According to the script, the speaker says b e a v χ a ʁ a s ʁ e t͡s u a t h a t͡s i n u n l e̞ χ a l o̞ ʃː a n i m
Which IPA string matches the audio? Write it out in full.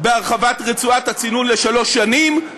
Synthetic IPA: b e a ʁ χ a v a t ʁ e t͡s u a t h a t͡s i n u n l e̞ ʃ a l o̞ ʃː a n i m

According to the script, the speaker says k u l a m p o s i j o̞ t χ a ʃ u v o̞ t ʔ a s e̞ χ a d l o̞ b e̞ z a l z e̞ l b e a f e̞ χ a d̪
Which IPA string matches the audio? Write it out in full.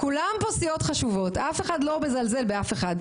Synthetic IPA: k u l a m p o s i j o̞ t χ a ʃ u v o̞ t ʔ a f e̞ χ a d l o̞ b e̞ z a l z e̞ l b e a f e̞ χ a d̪

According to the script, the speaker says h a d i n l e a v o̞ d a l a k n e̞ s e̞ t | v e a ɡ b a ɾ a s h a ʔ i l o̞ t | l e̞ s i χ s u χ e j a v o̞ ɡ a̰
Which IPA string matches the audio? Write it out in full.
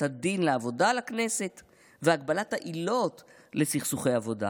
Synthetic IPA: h a d i n l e a v o̞ d a l a k n e̞ s e̞ t | v e a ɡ b a l a t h a ʔ i l o̞ t | l e̞ s i χ s u χ e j a v o̞ d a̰

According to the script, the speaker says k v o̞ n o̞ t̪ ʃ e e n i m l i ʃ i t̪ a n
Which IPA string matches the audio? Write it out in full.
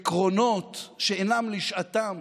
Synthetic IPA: k ʁ o̞ n o̞ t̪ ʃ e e n a m l i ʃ a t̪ a m

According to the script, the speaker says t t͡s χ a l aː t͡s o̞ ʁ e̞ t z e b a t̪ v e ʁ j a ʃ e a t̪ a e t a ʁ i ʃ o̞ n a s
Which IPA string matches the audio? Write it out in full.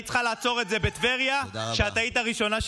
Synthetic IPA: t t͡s χ a l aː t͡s o̞ ʁ e̞ t z e b e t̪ v e ʁ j a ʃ e a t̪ a i t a ʁ i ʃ o̞ n a ʃ

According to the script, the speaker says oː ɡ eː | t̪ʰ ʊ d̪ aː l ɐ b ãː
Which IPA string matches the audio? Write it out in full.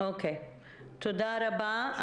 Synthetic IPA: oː k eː | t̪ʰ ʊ d̪ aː ɾ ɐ b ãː

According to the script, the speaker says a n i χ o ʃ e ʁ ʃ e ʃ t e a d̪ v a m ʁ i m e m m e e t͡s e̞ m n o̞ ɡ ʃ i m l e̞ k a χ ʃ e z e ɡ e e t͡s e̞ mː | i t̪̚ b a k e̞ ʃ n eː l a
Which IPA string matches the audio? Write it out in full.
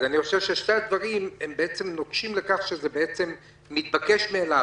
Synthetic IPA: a n i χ o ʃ e v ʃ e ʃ t e a d̪ v a ʁ i m e m b e e t͡s e̞ m n o̞ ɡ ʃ i m l e̞ k a χ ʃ e z e b e e t͡s e̞ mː | i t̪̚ b a k e̞ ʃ m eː l a

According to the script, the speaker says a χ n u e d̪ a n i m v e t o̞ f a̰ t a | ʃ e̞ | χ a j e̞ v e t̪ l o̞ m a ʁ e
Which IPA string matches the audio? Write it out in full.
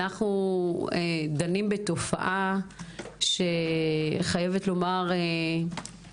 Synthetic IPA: a χ n u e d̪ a n i m b e t o̞ f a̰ ʔ a | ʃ e̞ | χ a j e̞ v e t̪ l o̞ m a ʁ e

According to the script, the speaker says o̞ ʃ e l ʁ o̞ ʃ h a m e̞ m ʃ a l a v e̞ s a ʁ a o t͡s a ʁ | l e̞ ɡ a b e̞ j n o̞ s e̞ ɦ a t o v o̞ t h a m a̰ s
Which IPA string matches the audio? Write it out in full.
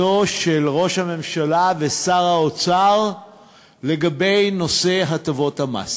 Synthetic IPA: o̞ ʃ e l ʁ o̞ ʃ h a m e̞ m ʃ a l a v e̞ s a ʁ a o t͡s a ʁ | l e̞ ɡ a b e̞ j n o̞ s e̞ ɦ a t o v o̞ t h a m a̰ s

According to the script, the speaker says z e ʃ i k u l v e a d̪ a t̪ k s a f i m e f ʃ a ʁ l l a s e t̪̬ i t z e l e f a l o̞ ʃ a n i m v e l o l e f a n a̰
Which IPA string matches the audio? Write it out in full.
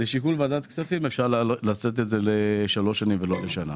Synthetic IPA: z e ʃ i k u l v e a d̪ a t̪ k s a f i m e f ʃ a ʁ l l a s e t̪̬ e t z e l e ʃ a l o̞ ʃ a n i m v e l o l e ʃ a n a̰

